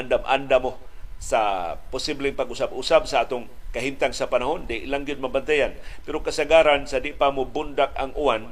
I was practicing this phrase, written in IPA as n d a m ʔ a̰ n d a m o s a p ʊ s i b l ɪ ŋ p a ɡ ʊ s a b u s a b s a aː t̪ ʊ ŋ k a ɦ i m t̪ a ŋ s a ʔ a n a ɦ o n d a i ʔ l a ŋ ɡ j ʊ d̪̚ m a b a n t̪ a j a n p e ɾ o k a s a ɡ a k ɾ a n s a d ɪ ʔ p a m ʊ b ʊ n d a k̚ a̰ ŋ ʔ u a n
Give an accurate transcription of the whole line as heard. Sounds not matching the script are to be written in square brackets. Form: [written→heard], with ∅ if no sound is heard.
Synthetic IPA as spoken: n d a m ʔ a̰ n d a m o s a p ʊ s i b l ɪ ŋ p a ɡ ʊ s a b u s a b s a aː t̪ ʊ ŋ k a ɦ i m t̪ a ŋ s a [ʔ→p] a n a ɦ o n d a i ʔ l a ŋ ɡ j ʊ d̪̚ m a b a n t̪ a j a n p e ɾ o k a s a ɡ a [k→∅] ɾ a n s a d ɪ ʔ p a m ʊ b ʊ n d a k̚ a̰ ŋ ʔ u a n